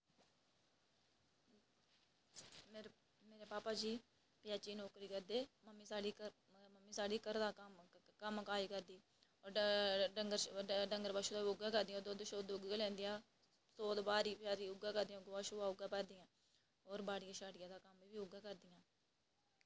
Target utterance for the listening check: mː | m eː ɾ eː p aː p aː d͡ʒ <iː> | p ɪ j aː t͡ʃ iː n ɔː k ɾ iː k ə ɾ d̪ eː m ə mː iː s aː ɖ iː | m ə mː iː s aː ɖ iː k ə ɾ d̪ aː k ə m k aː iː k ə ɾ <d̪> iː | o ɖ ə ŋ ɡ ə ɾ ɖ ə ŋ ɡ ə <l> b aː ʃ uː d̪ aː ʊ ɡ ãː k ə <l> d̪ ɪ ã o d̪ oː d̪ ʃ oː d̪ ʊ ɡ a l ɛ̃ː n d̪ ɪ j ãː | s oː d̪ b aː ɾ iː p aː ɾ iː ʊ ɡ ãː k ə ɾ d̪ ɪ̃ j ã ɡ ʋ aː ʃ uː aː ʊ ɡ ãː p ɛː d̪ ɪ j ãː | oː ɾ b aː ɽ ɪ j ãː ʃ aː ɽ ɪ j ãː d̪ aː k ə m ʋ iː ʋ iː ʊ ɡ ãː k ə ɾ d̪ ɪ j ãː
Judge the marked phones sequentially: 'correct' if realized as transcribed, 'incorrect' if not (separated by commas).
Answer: correct, correct, incorrect, incorrect